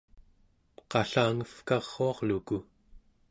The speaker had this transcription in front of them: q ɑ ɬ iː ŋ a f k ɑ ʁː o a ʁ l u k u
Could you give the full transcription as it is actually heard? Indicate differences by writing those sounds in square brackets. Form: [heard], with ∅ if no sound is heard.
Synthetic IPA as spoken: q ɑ ɬ [aː] ŋ [ə] f k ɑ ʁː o [ɑ] ʁ l u k u